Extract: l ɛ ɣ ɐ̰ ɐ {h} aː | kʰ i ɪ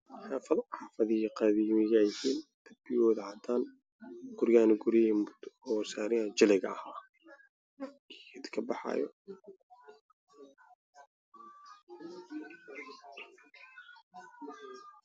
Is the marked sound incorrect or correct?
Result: correct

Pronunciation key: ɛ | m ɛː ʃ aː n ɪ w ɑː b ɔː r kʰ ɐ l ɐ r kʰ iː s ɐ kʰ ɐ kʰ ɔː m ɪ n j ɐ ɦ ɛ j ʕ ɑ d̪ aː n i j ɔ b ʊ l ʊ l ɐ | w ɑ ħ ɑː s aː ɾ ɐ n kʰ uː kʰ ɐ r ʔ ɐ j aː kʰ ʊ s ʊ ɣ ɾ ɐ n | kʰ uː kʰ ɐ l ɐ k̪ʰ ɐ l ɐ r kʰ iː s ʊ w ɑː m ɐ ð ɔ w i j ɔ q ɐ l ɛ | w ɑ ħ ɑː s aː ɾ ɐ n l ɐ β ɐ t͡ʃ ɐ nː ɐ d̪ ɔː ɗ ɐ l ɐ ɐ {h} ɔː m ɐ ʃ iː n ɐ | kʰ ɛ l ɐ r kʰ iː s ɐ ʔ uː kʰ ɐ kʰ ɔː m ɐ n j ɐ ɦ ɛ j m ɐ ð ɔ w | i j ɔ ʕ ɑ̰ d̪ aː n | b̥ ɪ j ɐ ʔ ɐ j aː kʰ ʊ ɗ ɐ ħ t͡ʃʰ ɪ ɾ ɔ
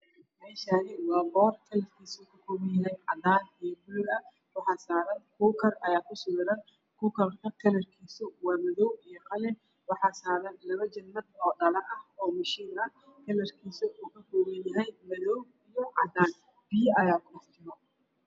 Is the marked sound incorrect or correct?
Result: correct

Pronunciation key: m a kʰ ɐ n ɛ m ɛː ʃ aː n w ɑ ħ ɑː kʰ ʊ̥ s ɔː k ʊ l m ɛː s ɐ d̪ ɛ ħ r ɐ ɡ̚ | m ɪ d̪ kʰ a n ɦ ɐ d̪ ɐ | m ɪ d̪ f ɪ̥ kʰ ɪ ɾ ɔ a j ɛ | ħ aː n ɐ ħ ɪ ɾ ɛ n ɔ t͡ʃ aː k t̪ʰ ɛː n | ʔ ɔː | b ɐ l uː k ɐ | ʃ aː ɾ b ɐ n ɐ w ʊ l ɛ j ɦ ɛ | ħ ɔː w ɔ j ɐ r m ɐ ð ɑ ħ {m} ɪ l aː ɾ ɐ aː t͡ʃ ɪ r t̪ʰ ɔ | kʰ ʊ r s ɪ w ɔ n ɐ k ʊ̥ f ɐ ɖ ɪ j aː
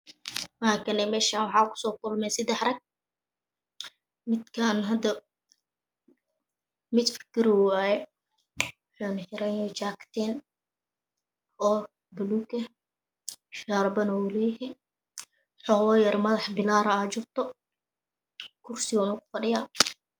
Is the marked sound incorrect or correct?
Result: incorrect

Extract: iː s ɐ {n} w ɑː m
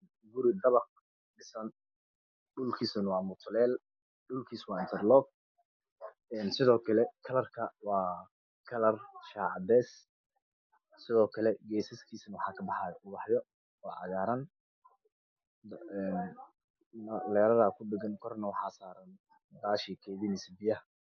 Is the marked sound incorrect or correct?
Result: correct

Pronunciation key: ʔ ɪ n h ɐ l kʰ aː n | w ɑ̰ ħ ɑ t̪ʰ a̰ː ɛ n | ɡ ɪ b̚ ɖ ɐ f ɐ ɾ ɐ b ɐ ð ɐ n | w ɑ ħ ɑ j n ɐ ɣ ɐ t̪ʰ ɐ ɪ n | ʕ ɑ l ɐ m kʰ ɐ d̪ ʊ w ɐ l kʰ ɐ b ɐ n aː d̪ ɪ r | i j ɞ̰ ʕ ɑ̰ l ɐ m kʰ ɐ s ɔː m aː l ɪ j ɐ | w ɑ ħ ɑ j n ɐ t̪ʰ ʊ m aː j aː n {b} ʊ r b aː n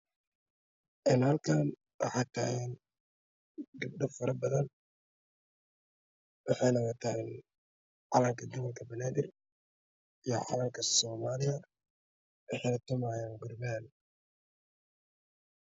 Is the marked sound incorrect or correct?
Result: incorrect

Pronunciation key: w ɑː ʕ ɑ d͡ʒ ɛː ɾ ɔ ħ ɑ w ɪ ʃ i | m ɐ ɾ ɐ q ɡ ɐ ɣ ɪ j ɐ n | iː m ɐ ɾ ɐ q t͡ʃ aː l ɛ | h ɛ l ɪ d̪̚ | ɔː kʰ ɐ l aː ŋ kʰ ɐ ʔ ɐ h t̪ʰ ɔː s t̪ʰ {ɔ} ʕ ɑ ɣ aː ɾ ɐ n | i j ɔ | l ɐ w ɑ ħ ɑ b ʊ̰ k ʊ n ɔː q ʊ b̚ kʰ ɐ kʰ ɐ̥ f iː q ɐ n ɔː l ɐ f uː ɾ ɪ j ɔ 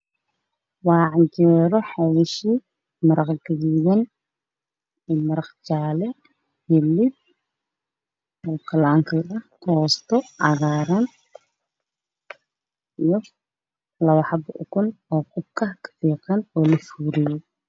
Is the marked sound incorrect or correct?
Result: correct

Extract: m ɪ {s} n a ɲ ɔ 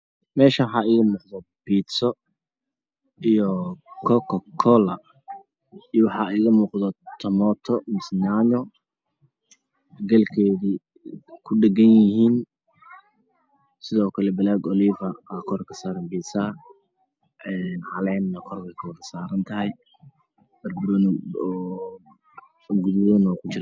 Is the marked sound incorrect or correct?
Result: correct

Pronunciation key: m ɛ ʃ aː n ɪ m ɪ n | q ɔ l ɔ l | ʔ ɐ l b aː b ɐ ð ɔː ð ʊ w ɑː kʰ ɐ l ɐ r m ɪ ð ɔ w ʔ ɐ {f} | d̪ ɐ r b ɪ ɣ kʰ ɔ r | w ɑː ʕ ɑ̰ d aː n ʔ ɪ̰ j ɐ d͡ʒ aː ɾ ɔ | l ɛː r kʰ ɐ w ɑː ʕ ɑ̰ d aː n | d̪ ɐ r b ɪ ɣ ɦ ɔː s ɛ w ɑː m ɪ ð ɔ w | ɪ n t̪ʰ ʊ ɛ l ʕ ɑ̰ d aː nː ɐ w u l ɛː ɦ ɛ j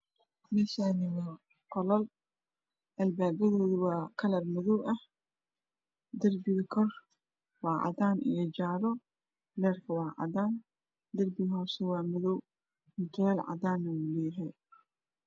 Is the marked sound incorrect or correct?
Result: incorrect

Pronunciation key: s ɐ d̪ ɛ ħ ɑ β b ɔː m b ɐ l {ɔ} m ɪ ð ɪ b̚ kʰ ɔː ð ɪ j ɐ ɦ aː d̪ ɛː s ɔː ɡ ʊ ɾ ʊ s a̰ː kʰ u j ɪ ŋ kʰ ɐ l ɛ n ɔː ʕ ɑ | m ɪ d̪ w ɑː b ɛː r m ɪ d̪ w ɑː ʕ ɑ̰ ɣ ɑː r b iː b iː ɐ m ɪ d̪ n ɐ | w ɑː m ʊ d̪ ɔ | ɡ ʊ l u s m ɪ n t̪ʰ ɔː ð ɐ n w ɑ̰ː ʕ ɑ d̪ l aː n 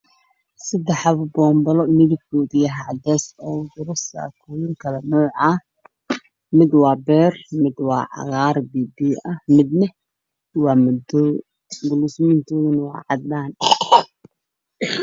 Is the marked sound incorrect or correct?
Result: correct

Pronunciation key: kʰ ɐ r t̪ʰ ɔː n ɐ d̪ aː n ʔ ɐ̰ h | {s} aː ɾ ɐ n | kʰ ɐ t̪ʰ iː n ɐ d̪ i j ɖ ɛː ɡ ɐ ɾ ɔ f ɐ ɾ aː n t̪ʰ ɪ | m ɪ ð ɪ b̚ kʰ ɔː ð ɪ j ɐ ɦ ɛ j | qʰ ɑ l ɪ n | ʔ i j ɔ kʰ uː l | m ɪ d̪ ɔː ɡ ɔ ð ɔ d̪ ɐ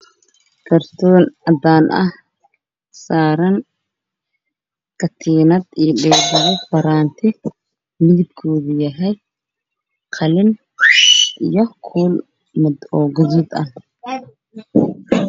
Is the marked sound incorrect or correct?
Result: correct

